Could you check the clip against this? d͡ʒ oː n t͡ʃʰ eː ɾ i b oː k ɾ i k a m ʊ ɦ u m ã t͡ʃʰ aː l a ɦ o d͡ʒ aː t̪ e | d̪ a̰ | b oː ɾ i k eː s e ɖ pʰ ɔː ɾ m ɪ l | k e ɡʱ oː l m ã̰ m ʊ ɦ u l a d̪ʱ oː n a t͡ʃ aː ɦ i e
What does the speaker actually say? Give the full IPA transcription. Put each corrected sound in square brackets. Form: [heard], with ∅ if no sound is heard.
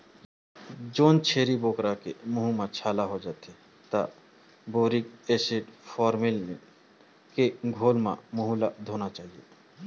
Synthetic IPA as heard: d͡ʒ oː n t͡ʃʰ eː ɾ i b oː k ɾ [a] k [e] m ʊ ɦ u m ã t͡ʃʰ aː l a ɦ o d͡ʒ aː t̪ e | [t̪] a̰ | b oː ɾ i k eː s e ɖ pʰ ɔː ɾ m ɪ l | k e ɡʱ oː l m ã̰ m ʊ ɦ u l a d̪ʱ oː n a t͡ʃ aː ɦ i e